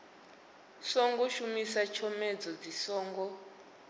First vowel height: mid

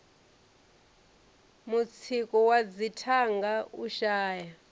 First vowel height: high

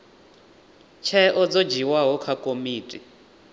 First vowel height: mid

